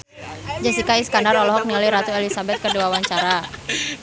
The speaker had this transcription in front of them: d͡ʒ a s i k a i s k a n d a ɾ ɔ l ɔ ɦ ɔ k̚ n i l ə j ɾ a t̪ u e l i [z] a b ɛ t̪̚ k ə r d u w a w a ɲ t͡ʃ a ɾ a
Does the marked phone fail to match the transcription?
yes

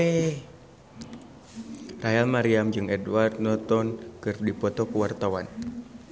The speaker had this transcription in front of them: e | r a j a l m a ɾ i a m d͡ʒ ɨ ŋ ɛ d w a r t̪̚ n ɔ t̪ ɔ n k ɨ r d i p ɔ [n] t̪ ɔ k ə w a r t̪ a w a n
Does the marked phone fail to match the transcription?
yes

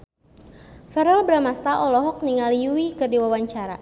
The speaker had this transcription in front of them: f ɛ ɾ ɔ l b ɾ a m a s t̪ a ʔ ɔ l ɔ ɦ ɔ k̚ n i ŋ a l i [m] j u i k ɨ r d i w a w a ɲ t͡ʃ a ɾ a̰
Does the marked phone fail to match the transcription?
yes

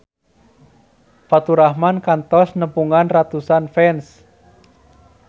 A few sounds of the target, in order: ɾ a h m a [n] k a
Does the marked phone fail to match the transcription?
no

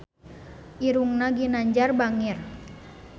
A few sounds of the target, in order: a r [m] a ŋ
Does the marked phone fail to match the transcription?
yes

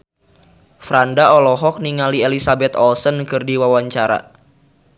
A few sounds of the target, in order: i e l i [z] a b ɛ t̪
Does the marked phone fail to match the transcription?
yes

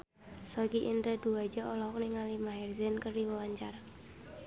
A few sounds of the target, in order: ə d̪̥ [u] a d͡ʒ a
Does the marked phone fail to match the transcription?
no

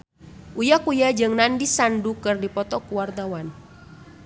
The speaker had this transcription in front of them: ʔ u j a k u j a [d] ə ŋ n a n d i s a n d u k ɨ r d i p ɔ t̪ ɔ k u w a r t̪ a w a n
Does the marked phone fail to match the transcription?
yes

